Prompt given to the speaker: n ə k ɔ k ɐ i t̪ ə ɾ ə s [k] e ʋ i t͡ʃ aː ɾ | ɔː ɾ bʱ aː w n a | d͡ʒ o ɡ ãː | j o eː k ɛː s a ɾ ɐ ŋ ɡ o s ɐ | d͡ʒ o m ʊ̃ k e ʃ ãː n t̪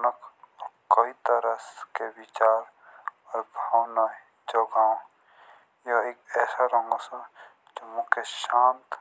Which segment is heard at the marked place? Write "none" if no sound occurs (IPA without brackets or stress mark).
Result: k